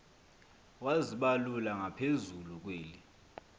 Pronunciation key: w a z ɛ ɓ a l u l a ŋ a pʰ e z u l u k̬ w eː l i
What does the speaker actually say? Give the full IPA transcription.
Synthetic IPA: w a z i ɓ a l u l a ŋ a pʰ e z u l u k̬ w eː l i

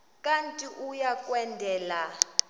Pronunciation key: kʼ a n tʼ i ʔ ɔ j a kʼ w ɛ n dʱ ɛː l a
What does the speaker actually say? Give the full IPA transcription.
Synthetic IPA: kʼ a n tʼ i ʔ u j a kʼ w ɛ n dʱ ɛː l a

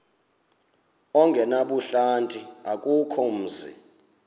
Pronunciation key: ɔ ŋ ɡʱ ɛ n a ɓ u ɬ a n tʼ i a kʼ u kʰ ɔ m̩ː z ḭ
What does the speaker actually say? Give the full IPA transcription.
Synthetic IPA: ɔ ŋ ɡʱ ɛ n a ɓ u ɬ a n tʼ i a kʼ u kʰ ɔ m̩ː z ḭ

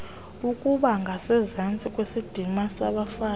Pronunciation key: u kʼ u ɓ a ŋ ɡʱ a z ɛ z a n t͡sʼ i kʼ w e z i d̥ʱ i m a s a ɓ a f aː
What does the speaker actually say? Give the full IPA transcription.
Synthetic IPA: u kʼ u ɓ a ŋ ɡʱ a s ɛ z a n t͡sʼ i kʼ w e s i d̥ʱ i m a s a ɓ a f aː

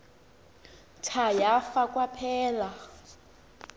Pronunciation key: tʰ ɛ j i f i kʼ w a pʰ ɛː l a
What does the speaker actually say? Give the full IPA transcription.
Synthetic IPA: tʰ a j a f a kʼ w a pʰ ɛː l a

